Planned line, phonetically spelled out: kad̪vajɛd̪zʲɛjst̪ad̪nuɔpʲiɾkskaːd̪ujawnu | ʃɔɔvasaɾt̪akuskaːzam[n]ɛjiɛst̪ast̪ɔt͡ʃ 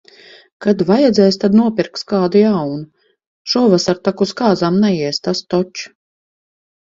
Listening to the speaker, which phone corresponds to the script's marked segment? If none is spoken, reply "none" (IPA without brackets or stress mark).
n